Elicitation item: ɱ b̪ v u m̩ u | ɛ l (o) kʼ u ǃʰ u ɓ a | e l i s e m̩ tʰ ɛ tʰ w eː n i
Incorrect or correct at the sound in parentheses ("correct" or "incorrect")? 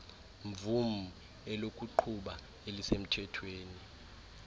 correct